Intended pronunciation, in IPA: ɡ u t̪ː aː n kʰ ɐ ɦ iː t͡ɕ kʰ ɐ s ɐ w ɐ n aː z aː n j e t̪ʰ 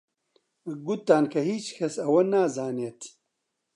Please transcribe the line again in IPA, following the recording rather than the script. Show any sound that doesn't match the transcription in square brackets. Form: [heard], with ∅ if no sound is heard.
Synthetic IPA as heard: ɡ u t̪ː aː n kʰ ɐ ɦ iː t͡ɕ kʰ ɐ s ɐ w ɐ n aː z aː n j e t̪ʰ